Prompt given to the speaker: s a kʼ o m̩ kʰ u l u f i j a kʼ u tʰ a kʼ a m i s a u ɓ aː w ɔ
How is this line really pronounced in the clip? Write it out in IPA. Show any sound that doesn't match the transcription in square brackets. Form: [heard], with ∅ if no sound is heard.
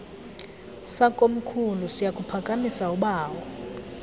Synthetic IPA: s a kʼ o m̩ kʰ u l u [s] i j a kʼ u [pʰ] a kʼ a m i s a u ɓ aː w ɔ